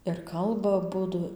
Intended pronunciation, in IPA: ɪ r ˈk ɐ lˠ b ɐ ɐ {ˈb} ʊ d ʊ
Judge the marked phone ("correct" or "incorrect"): correct